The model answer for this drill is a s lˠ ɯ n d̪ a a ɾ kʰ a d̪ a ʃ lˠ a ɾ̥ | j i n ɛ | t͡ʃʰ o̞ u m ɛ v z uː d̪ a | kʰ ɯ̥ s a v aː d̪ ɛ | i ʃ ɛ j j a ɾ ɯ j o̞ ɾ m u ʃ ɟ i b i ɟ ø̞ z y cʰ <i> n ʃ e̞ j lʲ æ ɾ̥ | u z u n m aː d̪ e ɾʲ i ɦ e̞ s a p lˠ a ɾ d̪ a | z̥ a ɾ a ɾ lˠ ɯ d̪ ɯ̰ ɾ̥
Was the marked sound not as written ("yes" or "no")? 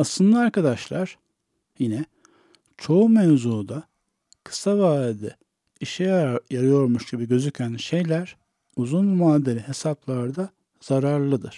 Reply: yes